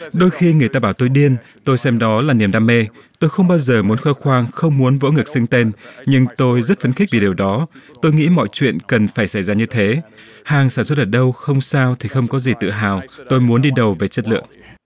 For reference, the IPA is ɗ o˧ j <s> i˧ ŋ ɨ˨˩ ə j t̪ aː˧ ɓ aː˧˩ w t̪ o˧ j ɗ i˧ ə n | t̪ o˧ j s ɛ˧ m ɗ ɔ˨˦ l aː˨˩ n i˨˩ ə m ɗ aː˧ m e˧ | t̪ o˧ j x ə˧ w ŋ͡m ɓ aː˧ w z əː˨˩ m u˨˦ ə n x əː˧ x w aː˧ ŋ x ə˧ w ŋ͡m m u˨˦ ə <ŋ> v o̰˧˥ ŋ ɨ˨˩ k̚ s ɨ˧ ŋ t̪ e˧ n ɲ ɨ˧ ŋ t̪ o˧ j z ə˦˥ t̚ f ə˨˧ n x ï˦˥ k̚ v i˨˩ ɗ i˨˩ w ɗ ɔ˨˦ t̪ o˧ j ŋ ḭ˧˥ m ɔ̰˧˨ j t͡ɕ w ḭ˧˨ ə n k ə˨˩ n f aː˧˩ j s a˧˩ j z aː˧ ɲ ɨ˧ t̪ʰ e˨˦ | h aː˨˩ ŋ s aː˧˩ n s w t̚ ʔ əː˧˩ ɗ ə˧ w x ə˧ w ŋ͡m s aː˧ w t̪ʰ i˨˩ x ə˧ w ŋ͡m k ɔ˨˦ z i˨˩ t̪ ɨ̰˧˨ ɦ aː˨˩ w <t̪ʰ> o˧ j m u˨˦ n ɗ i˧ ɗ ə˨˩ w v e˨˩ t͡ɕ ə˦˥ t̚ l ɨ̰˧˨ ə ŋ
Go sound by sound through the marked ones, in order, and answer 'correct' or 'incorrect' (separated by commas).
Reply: incorrect, incorrect, incorrect